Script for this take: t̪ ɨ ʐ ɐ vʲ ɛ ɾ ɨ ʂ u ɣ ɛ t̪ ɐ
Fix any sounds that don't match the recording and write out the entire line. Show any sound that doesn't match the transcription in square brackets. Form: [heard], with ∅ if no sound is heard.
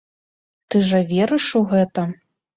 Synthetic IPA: t̪ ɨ ʐ ɐ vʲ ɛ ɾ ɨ ʂ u ɣ ɛ t̪ ɐ